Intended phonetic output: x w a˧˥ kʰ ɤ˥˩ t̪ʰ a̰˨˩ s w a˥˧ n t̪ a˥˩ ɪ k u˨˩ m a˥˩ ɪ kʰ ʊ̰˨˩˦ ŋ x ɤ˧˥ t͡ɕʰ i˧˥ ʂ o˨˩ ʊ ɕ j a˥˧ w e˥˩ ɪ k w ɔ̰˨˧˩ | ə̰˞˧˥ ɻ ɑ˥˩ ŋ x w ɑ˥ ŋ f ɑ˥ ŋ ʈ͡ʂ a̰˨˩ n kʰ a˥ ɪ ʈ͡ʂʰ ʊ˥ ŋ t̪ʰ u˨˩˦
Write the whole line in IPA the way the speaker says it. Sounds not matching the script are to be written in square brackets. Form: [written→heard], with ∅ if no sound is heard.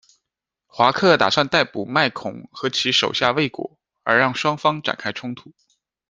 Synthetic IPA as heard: x w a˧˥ kʰ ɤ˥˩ [t̪ʰ→t̪] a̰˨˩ s w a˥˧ n t̪ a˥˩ ɪ [k→p] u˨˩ m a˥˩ ɪ kʰ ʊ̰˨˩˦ ŋ x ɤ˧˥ t͡ɕʰ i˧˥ ʂ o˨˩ ʊ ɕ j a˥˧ w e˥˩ ɪ k w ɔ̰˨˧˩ | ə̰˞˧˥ ɻ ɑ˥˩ ŋ [x→ʂ] w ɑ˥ ŋ f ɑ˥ ŋ ʈ͡ʂ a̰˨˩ n kʰ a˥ ɪ ʈ͡ʂʰ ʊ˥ ŋ t̪ʰ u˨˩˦

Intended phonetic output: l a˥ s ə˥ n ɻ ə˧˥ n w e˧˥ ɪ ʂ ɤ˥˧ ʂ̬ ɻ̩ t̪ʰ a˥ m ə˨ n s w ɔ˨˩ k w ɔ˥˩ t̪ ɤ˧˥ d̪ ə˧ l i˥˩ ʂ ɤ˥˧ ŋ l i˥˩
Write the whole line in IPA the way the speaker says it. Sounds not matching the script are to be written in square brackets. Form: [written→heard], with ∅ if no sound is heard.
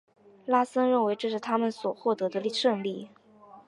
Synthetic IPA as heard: l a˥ s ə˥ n ɻ [ə˧˥→ə˥˩] n w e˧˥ ɪ [ʂ→ʈ͡ʂ] ɤ˥˧ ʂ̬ ɻ̩ t̪ʰ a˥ m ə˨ n s w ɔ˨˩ [k→x] w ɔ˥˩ t̪ ɤ˧˥ d̪ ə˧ l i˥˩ ʂ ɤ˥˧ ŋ l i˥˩

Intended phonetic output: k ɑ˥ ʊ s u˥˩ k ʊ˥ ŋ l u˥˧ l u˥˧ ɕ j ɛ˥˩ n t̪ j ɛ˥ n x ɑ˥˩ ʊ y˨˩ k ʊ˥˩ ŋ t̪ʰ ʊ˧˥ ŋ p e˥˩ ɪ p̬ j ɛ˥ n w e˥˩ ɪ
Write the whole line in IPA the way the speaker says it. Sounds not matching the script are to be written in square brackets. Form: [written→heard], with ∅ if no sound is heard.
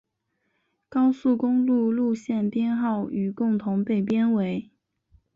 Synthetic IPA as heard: k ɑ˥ ʊ s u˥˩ k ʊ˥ ŋ l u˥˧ l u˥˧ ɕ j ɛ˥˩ n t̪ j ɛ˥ n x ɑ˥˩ ʊ y˨˩ k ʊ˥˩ ŋ t̪ʰ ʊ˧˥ ŋ p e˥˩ ɪ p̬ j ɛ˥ n w [e˥˩→e˧˥] ɪ

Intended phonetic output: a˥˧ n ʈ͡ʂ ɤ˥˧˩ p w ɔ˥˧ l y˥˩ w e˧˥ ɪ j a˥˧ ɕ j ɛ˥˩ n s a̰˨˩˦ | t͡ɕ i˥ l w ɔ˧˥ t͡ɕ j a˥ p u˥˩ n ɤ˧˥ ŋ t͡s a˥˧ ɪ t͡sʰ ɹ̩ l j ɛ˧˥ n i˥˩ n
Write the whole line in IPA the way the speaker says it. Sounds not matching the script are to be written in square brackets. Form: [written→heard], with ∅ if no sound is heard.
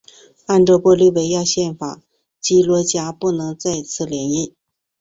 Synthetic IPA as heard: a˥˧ n ʈ͡ʂ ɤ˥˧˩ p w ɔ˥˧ l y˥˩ w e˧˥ ɪ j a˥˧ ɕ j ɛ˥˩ n [s→f] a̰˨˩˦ | t͡ɕ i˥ l w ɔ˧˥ t͡ɕ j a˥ p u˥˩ n ɤ˧˥ ŋ t͡s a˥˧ ɪ t͡sʰ ɹ̩ l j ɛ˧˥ n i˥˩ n

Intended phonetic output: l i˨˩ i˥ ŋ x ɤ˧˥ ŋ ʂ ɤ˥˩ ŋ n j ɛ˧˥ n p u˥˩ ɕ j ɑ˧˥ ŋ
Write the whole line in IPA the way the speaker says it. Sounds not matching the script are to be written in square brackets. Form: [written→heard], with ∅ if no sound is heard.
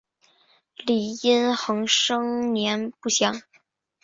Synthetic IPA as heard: l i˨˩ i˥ [ŋ→n] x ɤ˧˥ ŋ ʂ [ɤ˥˩→ɤ˥] ŋ n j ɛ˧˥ n p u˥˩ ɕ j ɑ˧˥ ŋ

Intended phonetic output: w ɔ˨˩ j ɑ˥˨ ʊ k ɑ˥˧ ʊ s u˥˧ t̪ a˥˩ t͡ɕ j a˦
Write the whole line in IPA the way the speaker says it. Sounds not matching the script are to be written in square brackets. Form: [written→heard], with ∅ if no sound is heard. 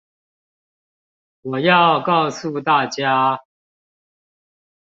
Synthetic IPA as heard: w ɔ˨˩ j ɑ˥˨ ʊ k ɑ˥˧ ʊ s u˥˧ t̪ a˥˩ t͡ɕ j a˦

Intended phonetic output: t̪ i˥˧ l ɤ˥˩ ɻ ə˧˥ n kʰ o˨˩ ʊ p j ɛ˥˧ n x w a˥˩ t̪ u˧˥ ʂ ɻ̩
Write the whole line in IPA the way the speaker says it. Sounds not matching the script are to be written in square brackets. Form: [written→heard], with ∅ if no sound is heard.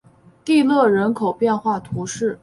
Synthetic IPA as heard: t̪ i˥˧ l ɤ˥˩ ɻ ə˧˥ n kʰ o˨˩ ʊ p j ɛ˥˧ n x w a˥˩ [t̪→t̪ʰ] u˧˥ ʂ ɻ̩

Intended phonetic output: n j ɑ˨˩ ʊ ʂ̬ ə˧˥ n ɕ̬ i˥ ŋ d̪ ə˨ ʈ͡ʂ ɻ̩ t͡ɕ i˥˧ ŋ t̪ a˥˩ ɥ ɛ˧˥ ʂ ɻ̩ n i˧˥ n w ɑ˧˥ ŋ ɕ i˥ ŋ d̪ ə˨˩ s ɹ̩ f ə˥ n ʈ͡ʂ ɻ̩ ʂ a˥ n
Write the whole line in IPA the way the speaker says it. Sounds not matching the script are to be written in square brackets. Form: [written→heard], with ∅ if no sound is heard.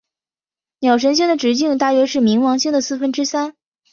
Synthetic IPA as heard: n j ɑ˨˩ ʊ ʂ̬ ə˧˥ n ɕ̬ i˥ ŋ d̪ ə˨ ʈ͡ʂ ɻ̩ t͡ɕ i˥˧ ŋ t̪ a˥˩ ɥ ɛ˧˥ ʂ ɻ̩ [n→m] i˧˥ [n→ŋ] w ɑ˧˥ ŋ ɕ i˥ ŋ d̪ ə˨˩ s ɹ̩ f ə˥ n ʈ͡ʂ ɻ̩ [ʂ→s] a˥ n

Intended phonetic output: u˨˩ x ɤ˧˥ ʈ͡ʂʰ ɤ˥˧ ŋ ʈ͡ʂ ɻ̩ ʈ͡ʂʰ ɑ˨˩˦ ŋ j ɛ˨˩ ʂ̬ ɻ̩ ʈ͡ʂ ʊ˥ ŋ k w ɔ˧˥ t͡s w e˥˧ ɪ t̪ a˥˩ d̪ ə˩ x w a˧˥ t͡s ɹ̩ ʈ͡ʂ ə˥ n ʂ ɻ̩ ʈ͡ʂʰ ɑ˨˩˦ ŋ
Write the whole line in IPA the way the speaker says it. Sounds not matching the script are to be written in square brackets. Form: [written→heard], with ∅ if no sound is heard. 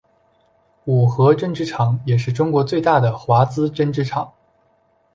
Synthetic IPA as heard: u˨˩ x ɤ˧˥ [ʈ͡ʂʰ→ʈ͡ʂ] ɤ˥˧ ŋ ʈ͡ʂ ɻ̩ ʈ͡ʂʰ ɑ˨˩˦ ŋ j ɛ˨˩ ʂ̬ ɻ̩ ʈ͡ʂ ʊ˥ ŋ k w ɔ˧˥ t͡s w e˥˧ ɪ t̪ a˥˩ d̪ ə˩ x w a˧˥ t͡s ɹ̩ ʈ͡ʂ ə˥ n [ʂ→ʈ͡ʂ] ɻ̩ ʈ͡ʂʰ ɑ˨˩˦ ŋ

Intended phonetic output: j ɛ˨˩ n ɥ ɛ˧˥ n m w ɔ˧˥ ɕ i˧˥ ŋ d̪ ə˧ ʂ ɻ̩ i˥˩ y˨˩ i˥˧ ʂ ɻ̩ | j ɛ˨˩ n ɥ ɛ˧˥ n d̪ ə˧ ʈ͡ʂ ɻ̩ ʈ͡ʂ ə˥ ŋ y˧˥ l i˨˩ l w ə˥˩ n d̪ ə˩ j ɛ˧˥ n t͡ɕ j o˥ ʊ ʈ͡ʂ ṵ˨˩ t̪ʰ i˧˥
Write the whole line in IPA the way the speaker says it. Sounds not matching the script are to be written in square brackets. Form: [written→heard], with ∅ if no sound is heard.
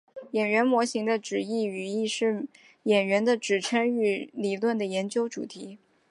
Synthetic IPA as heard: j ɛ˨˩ n ɥ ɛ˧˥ n m w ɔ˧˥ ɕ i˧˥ ŋ d̪ ə˧ [ʂ→ʈ͡ʂ] ɻ̩ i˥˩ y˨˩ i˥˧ ʂ ɻ̩ | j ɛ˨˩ n ɥ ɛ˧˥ n d̪ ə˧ ʈ͡ʂ ɻ̩ [ʈ͡ʂ→ʈ͡ʂʰ] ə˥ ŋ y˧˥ l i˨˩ l w ə˥˩ n d̪ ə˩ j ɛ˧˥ n t͡ɕ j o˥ ʊ ʈ͡ʂ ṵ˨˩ t̪ʰ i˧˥

